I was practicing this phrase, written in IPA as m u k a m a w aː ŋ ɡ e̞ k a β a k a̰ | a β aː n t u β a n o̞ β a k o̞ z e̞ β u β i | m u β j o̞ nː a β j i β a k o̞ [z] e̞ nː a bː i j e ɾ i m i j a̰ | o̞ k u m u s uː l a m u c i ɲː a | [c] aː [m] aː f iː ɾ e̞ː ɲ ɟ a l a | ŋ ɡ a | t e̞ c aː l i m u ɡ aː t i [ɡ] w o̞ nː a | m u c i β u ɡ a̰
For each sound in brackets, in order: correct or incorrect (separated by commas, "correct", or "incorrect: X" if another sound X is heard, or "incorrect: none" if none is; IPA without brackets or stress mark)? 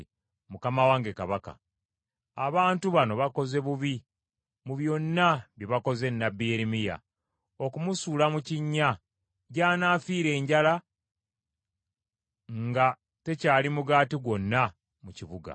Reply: correct, incorrect: ɟ, incorrect: n, correct